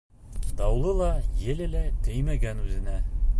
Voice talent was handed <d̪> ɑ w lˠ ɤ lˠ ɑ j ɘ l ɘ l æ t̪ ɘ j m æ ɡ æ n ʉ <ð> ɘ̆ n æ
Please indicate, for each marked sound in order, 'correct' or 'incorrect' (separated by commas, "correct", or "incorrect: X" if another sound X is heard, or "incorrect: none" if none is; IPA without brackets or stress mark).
correct, incorrect: z